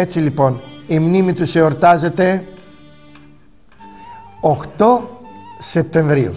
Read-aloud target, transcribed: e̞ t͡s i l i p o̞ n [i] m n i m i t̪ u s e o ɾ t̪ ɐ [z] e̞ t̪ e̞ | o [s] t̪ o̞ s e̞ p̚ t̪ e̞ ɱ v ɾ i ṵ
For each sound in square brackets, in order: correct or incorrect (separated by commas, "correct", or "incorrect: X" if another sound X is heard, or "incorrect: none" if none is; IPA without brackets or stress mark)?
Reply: correct, correct, incorrect: x